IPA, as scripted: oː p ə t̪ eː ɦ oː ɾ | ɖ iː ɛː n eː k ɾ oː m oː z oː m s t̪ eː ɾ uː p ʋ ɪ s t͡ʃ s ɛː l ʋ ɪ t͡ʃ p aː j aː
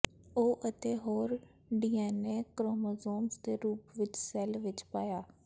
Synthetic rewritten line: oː ʔ ə t̪ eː ɦ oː ɾ | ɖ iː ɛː n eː k ɾ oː m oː z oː m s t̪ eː ɾ uː p ʋ ɪ t͡ʃ s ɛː l ʋ ɪ t͡ʃ p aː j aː